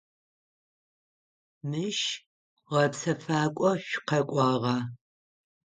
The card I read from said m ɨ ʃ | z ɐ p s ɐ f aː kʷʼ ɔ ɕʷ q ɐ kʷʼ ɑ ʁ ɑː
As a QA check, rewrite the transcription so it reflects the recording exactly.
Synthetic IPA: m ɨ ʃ | ʁ ɐ p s ɐ f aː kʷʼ ɔ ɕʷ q ɐ kʷʼ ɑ ʁ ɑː